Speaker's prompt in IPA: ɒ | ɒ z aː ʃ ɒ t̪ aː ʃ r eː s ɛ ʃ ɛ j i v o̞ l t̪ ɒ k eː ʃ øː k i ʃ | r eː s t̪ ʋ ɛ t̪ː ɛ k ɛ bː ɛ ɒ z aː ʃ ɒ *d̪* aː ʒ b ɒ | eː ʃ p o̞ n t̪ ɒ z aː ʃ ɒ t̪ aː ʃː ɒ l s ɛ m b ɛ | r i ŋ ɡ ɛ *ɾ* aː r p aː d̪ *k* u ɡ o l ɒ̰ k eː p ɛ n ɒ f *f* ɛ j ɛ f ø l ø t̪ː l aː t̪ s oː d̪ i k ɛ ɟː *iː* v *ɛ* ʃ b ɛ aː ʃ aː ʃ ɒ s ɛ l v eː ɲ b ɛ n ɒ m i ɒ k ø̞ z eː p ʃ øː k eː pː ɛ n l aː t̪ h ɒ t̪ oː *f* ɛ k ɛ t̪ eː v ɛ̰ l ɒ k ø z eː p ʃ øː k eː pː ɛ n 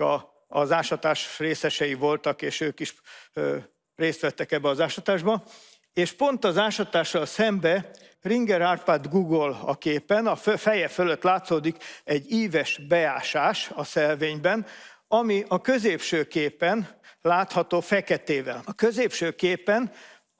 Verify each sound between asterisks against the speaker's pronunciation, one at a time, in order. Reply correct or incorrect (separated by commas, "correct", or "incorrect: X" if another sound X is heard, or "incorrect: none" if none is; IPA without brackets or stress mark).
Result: incorrect: t̪, correct, incorrect: ɡ, correct, correct, correct, correct